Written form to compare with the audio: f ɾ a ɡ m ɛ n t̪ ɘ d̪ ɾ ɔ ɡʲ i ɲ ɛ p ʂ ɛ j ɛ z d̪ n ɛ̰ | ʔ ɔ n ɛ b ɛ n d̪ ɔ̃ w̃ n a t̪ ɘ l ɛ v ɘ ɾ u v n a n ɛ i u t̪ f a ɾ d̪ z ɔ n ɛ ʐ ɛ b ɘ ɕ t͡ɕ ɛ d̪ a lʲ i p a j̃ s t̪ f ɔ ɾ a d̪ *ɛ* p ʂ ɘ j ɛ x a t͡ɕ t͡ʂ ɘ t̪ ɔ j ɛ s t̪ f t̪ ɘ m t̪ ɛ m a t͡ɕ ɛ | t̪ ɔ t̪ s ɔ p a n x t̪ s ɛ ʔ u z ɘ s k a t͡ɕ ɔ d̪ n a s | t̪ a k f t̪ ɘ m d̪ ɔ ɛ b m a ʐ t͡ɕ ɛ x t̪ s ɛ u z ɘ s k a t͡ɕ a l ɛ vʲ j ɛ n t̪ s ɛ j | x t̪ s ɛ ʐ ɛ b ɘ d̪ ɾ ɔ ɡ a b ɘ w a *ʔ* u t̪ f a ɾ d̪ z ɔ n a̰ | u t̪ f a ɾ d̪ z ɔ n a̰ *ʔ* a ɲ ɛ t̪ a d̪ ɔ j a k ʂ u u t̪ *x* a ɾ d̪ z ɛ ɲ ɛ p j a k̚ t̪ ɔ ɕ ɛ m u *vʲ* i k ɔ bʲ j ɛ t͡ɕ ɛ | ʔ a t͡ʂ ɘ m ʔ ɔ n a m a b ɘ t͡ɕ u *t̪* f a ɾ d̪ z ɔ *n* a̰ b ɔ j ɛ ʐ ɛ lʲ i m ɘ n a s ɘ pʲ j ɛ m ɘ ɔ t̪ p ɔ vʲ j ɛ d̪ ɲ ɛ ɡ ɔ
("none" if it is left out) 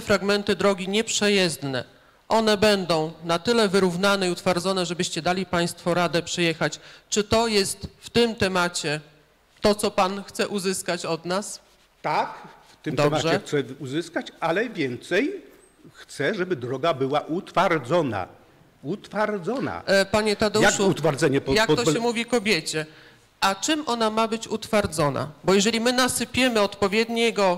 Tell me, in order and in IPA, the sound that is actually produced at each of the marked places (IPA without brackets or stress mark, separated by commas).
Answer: ɛ, ʔ, p, f, vʲ, t̪, n